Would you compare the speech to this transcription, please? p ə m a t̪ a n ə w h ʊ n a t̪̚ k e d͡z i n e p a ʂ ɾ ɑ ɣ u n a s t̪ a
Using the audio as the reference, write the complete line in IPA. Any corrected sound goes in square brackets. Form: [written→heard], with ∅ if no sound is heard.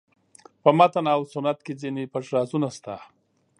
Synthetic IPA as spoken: p ə m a t̪ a n [ə→a] w [h→s] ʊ n a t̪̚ k e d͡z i n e p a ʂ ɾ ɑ [ɣ→z] u n a s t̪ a